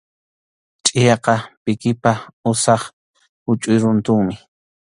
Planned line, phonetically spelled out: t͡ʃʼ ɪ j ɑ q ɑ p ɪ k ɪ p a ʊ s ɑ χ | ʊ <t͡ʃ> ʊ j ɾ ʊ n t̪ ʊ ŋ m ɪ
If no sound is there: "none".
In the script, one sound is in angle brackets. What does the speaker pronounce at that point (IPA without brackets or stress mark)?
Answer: t͡ʃʼ